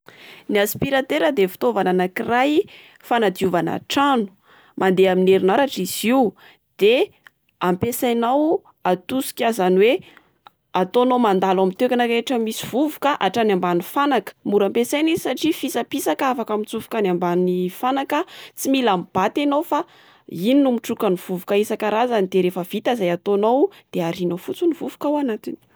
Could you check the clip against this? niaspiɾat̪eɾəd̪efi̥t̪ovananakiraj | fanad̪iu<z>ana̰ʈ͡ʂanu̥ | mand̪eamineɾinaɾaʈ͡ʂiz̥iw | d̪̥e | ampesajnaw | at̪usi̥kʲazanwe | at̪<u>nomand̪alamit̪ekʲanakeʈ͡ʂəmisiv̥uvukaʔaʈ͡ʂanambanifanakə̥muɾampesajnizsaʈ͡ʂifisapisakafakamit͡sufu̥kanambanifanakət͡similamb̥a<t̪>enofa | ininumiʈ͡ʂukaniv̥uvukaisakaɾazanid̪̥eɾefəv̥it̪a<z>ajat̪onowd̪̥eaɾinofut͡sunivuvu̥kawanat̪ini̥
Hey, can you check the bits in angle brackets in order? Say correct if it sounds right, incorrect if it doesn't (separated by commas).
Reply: incorrect, incorrect, correct, correct